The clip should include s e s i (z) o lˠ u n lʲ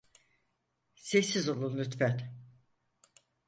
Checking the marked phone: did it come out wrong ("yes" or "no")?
no